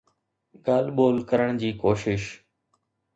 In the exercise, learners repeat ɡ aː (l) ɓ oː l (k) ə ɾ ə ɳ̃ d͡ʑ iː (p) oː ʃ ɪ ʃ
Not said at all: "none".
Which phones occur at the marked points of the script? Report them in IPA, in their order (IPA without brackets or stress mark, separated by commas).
l, k, k